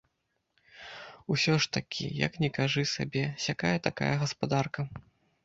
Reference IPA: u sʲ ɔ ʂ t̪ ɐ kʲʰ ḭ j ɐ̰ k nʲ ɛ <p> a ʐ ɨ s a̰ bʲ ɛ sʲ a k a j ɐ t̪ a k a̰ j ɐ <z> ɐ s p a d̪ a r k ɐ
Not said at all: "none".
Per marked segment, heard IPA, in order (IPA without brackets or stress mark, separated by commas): k, ɣ